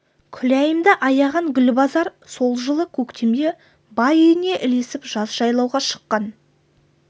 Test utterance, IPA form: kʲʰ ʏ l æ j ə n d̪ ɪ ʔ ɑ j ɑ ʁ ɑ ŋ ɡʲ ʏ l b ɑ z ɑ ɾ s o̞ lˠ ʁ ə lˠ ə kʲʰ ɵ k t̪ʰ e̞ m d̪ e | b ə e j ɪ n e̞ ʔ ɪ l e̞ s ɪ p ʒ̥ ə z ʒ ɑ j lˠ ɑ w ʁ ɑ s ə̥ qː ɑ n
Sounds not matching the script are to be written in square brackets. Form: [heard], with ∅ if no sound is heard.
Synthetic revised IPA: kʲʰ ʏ l æ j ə [m] d̪ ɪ ʔ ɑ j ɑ ʁ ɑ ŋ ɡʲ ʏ l b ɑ z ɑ ɾ s o̞ lˠ [ʒ] ə lˠ ə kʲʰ ɵ k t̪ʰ e̞ m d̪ e | b [ɑ] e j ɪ n e̞ ʔ ɪ l e̞ s ɪ p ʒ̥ [ɑ] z ʒ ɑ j lˠ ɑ w ʁ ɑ [ʃ] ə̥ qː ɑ n

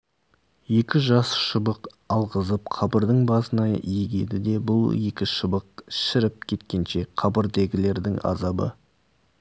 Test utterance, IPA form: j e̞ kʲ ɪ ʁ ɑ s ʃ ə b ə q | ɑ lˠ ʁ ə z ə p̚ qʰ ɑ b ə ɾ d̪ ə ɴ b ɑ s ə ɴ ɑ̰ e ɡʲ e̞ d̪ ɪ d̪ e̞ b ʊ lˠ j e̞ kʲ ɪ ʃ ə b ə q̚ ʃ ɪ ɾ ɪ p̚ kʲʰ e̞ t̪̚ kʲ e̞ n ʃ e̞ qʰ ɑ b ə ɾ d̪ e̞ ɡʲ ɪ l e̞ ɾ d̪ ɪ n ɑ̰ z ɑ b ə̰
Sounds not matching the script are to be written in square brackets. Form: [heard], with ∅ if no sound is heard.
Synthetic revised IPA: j e̞ kʲ ɪ [ʒ] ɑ s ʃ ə b ə q | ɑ lˠ ʁ ə z ə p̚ qʰ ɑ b ə ɾ d̪ ə ɴ b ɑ s ə [n] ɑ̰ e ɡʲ e̞ d̪ ɪ d̪ e̞ b ʊ lˠ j e̞ kʲ ɪ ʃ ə b ə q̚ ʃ ɪ ɾ ɪ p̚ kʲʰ e̞ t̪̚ kʲ e̞ n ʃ e̞ qʰ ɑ b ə ɾ d̪ e̞ ɡʲ ɪ l e̞ ɾ d̪ ɪ [ŋ] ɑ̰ z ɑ b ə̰

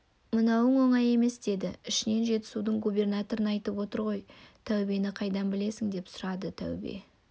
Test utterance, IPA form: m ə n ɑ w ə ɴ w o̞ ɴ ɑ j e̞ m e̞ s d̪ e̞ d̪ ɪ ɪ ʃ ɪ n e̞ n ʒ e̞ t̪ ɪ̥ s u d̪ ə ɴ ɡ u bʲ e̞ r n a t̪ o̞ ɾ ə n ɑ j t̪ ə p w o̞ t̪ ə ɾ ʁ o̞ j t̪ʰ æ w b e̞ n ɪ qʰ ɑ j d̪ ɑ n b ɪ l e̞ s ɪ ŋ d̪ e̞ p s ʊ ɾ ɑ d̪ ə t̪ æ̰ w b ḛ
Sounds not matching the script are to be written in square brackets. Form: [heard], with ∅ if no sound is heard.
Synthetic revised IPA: m ə n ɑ w ə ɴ w o̞ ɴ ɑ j e̞ m e̞ s d̪ e̞ d̪ ɪ ɪ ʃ ɪ n e̞ n ʒ e̞ t̪ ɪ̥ s u d̪ ə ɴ ɡ u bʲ e̞ r n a t̪ o̞ ɾ ə n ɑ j t̪ ə p w o̞ t̪ ə ɾ ʁ o̞ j t̪ʰ æ w b e̞ n ɪ qʰ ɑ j d̪ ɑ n b ɪ l e̞ s ɪ ŋ d̪ e̞ p s ʊ ɾ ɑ d̪ ə [t̪ʰ] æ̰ w b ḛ

